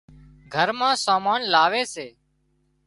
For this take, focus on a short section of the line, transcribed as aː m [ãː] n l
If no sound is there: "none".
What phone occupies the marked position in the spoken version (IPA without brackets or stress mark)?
aː